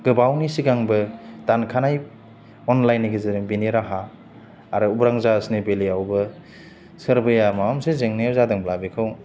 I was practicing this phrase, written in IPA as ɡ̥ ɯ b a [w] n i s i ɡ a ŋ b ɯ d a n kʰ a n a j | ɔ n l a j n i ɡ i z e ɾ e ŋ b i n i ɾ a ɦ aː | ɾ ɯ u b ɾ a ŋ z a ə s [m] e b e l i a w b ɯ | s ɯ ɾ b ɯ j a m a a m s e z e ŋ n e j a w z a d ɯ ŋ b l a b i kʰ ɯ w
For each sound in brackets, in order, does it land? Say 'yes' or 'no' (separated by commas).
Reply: yes, no